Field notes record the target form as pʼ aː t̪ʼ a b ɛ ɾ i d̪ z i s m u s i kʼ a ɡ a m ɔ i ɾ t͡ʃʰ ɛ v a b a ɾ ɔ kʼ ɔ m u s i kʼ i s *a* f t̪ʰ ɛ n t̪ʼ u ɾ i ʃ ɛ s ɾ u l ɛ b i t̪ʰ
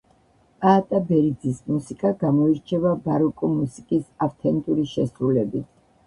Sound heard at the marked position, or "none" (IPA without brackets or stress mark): a